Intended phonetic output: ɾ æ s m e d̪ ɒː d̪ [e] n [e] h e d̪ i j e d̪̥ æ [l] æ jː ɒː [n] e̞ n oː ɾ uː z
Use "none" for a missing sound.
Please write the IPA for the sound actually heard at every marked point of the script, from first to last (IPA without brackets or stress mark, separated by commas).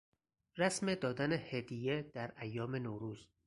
æ, e, ɾ, m